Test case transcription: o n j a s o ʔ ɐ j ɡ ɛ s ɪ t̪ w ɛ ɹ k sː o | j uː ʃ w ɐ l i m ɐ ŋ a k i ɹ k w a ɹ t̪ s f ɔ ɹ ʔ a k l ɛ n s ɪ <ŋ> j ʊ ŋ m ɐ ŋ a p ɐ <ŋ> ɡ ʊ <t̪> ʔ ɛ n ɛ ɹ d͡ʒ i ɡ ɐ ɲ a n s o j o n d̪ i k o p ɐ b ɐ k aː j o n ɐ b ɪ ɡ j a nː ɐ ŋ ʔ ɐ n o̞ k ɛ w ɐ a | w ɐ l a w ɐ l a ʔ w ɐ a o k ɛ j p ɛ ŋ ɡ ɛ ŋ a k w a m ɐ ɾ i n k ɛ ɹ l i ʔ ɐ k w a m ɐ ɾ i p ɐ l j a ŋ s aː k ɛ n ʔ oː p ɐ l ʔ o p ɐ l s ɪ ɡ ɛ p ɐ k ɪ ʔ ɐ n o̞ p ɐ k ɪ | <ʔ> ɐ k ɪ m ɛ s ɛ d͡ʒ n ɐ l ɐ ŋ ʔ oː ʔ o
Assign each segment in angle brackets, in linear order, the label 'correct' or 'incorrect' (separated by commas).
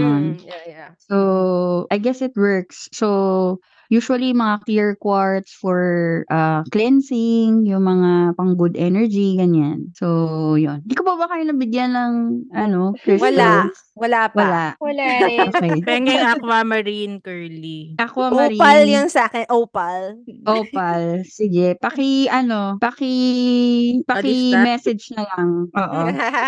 correct, correct, incorrect, incorrect